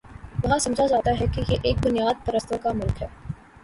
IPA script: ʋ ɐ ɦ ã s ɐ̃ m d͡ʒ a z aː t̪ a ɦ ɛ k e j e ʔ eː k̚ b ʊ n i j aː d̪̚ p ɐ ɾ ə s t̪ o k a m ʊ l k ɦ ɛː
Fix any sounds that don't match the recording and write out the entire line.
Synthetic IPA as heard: ʋ ɐ ɦ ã s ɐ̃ m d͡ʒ a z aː t̪ a ɦ ɛ k e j e ʔ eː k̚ b ʊ n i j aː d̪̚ p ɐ ɾ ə s t̪ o k a m ʊ l k ɦ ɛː